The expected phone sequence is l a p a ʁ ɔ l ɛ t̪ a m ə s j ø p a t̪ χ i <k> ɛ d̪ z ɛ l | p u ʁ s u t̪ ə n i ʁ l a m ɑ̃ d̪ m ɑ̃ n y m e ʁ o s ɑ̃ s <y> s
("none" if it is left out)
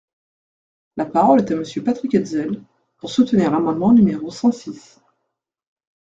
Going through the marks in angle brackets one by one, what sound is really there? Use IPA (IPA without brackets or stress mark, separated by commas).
k, i